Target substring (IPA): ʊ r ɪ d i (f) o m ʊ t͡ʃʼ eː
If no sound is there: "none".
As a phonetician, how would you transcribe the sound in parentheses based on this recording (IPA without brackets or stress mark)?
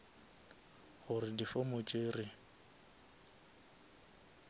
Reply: f